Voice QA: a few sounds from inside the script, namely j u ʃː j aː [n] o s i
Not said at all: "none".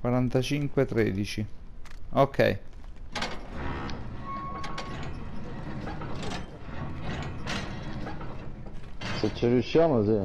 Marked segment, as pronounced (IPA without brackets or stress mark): m